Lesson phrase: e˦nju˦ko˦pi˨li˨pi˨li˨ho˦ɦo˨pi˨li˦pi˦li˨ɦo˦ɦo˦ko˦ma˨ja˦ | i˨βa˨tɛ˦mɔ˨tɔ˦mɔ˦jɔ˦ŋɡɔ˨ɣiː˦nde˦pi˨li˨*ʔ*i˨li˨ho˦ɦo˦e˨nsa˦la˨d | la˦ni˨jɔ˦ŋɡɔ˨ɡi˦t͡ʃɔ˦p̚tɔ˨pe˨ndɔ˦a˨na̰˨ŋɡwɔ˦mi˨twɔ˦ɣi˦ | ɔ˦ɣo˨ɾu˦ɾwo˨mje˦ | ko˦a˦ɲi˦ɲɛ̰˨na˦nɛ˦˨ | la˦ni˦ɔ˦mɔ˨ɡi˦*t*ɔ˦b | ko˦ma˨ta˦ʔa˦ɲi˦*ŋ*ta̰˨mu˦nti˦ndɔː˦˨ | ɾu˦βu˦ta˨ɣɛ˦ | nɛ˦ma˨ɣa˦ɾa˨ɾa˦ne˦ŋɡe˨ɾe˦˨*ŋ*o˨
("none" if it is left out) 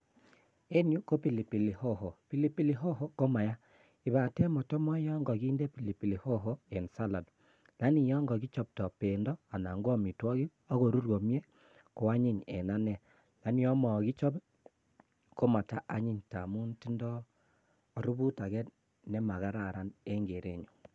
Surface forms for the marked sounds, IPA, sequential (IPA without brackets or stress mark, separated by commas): p, t͡ʃ, ɲ, ɲ